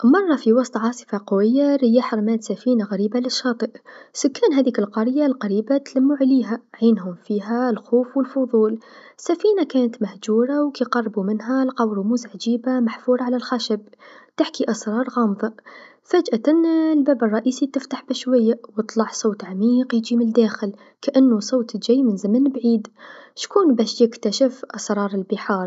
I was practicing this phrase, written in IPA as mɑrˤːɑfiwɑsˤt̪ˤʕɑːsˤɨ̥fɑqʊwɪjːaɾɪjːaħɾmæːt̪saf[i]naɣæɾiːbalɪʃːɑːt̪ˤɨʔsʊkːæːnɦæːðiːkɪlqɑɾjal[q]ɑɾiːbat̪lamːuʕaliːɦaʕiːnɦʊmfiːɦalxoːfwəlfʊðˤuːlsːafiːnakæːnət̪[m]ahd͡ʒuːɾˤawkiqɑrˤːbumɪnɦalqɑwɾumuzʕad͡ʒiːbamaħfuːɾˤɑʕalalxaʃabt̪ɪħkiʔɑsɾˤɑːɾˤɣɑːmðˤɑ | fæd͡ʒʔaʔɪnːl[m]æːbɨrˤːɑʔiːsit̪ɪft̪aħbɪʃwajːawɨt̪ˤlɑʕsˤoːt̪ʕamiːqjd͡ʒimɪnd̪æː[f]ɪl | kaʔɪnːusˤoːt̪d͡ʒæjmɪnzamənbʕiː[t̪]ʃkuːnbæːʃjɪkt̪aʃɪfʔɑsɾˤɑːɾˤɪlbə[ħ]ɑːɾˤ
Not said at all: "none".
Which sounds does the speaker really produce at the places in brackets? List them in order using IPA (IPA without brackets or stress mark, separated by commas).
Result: iː, q, m, b, x, d̪, ħ